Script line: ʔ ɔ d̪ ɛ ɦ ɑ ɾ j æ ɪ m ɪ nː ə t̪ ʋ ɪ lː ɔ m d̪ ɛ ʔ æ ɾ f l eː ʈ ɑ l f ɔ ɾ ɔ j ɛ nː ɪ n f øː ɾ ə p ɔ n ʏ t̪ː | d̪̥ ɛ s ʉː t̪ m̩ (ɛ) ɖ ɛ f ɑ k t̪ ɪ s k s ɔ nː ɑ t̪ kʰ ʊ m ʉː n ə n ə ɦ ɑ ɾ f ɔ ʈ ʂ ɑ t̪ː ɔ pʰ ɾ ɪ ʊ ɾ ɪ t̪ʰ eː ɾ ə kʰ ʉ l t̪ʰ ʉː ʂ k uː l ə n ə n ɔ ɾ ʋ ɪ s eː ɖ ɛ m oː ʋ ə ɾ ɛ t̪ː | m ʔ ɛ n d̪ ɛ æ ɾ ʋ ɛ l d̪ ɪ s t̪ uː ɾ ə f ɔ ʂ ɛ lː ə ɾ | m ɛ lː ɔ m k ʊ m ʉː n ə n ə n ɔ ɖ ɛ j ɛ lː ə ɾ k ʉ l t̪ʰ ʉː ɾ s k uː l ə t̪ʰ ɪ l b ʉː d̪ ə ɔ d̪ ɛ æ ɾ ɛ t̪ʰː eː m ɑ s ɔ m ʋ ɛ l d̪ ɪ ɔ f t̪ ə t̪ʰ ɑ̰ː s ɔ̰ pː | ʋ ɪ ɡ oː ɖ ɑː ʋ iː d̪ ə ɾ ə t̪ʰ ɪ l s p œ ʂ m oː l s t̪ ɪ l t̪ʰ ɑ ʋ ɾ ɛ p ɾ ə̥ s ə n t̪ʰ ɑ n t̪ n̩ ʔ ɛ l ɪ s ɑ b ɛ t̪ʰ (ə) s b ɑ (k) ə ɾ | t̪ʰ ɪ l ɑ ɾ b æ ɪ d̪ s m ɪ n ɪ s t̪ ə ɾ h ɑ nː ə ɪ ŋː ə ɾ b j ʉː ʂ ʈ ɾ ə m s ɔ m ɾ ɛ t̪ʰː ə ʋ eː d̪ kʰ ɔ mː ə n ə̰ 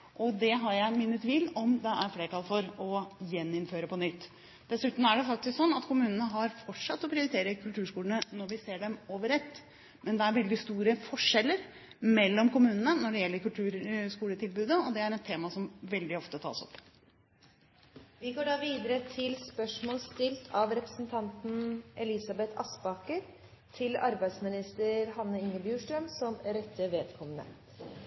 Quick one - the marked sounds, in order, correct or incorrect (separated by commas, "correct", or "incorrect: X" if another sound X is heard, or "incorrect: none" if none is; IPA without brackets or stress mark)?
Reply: incorrect: æ, incorrect: ɑ, correct